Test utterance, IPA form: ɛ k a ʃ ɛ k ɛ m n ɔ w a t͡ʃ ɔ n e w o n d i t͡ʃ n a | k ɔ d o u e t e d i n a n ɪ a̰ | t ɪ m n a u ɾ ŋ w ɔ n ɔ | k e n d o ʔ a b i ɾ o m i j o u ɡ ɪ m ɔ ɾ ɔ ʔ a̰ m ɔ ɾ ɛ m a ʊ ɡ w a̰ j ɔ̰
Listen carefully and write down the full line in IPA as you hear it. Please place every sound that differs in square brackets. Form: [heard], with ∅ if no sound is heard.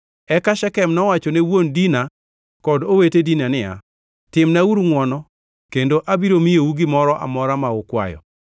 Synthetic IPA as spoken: ɛ k a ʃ ɛ k ɛ m n ɔ w a t͡ʃ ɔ n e w o n d i [∅] n a | k ɔ d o [w] e t e d i n a n ɪ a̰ | t ɪ m n a u ɾ ŋ w ɔ n ɔ | k e n d o ʔ a b i ɾ o m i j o u ɡ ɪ m ɔ ɾ ɔ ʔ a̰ m ɔ ɾ [a] m a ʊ [k] w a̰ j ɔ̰